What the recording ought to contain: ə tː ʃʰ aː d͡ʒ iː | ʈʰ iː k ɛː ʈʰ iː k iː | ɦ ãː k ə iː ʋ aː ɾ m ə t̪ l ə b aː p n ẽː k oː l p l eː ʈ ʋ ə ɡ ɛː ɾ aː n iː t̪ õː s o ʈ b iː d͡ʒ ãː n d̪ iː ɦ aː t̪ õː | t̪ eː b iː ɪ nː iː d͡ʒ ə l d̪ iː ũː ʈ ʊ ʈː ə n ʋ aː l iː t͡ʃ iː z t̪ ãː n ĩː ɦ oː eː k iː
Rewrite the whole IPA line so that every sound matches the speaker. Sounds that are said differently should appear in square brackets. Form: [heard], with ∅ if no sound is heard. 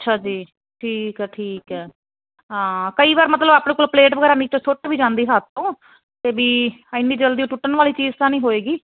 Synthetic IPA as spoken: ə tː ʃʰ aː d͡ʒ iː | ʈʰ iː k ɛː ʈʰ iː k [ɛː] | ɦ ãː k ə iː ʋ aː ɾ m ə t̪ l ə b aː p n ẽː k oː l p l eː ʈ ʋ ə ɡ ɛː ɾ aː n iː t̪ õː s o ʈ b iː d͡ʒ ãː n d̪ iː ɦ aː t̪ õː | t̪ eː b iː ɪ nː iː d͡ʒ ə l d̪ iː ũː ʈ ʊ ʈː ə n ʋ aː l iː t͡ʃ iː z t̪ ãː n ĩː ɦ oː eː [ɡ] iː